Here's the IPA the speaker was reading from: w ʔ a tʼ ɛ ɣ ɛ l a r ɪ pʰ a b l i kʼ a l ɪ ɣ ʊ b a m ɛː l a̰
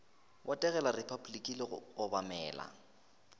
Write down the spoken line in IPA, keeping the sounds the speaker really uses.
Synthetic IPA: w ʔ a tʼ ɛ ɣ ɛ l a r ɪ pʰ a b l i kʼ i l ɪ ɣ ʊ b a m ɛː l a̰